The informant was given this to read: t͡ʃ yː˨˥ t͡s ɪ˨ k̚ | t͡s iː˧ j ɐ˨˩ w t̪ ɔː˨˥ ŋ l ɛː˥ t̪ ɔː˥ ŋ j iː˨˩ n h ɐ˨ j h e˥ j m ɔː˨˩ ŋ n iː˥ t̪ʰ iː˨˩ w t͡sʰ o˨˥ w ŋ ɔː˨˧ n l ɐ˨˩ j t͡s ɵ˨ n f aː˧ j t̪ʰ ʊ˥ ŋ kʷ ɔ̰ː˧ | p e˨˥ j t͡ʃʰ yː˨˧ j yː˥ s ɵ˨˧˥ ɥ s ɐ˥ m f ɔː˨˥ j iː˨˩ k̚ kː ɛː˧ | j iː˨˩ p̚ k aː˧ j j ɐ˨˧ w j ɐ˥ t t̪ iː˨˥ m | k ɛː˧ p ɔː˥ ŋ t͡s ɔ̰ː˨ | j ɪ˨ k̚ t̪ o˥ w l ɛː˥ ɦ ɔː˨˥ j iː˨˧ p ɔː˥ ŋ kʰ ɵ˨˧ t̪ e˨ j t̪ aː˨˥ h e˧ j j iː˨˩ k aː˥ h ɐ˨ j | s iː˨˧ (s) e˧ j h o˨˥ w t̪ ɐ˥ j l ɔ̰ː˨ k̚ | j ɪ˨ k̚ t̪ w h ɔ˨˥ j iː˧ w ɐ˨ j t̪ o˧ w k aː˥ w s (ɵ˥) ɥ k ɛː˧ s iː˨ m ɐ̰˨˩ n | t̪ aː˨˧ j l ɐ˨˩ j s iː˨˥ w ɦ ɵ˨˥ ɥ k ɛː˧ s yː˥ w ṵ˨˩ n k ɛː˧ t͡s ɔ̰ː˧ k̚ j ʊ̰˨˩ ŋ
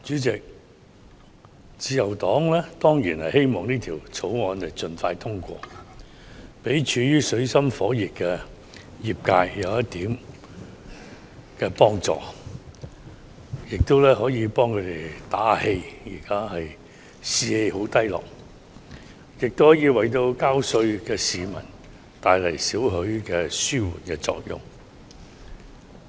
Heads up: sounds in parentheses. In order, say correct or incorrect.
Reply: incorrect: h, incorrect: ɵ˧

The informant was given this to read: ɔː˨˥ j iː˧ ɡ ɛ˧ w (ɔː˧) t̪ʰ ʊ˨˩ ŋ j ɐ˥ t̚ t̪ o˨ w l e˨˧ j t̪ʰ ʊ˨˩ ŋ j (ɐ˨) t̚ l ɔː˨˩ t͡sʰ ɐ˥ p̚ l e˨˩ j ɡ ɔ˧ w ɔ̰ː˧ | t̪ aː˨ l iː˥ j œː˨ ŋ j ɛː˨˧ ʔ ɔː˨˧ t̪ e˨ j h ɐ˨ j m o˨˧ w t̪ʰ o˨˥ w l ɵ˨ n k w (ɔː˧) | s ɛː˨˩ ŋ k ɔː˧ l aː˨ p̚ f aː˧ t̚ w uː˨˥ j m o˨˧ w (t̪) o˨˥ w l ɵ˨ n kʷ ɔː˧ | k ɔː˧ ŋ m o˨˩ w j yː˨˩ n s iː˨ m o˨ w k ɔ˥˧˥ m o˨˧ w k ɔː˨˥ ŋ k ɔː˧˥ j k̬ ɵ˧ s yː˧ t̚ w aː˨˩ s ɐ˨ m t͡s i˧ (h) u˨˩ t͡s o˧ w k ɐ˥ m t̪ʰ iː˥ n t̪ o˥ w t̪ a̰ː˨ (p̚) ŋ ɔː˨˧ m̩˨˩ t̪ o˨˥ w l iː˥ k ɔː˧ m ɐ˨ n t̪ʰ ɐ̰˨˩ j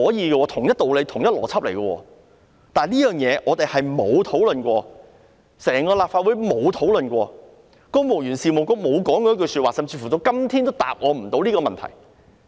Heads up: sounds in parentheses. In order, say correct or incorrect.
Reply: correct, incorrect: ɐ˥, correct, incorrect: t̪ʰ, incorrect: f, correct

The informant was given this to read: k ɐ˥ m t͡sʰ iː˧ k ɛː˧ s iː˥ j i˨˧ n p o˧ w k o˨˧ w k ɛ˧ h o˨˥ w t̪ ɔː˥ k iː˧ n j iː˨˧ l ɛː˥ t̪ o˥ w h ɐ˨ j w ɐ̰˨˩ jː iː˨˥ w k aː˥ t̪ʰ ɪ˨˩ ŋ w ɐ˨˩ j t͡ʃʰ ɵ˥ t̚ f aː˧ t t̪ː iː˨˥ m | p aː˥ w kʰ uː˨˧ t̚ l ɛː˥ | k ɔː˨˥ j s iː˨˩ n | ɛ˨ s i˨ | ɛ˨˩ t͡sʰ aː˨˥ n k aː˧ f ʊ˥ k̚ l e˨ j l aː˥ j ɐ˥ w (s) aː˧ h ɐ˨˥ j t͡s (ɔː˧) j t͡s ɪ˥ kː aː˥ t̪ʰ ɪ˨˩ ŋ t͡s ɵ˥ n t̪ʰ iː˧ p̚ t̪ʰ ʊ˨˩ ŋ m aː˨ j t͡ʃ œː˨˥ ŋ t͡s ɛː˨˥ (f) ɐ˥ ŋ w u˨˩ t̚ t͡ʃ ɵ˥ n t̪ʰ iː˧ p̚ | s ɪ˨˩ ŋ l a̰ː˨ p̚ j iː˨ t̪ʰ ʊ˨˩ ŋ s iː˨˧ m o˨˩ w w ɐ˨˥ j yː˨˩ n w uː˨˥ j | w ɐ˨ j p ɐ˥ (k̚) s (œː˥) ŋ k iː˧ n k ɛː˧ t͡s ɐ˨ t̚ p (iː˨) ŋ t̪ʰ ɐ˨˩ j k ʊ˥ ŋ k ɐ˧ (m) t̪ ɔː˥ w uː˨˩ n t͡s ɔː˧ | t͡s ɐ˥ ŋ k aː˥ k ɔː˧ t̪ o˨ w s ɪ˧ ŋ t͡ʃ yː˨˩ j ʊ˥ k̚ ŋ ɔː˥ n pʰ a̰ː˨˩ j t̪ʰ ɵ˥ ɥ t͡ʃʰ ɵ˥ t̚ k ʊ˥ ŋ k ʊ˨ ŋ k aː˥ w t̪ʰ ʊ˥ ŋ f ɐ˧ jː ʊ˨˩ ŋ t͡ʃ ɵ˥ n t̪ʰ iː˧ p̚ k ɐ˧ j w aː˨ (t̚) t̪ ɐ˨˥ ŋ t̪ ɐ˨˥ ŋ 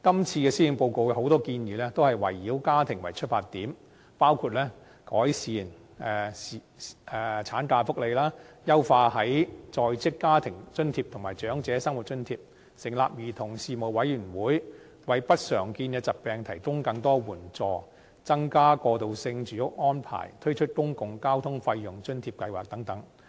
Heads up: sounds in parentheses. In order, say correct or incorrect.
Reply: incorrect: f, correct, incorrect: s, incorrect: t̚, incorrect: œː˨˩, incorrect: ɛː˨, incorrect: ŋ, incorrect: k̚

